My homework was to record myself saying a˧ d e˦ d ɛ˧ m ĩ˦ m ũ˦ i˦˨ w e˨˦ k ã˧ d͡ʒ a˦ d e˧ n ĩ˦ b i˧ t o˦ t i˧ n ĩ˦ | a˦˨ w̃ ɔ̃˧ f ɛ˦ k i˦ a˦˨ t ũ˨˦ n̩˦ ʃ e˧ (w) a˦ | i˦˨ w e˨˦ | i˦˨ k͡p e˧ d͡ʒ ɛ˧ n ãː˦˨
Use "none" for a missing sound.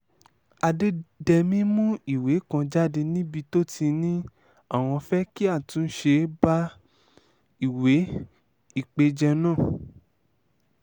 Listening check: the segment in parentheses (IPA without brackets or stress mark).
b